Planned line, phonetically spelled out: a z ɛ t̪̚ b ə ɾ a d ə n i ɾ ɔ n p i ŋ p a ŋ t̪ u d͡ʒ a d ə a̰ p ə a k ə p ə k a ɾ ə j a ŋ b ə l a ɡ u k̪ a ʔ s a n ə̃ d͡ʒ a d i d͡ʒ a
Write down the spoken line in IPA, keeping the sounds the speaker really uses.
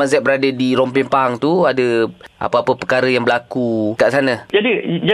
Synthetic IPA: a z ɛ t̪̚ b ə ɾ a d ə d i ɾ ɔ m p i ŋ p a ŋ t̪ u a d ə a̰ p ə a p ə p ə k a ɾ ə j a ŋ b ə l a k u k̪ a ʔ s a n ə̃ d͡ʒ a d i d͡ʒ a